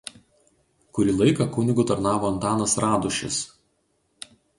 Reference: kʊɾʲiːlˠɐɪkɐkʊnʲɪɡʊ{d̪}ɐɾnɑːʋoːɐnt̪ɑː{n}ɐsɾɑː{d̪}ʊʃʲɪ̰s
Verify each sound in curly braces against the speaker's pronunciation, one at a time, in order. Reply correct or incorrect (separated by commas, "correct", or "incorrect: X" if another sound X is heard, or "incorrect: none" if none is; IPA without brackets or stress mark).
incorrect: t̪, correct, correct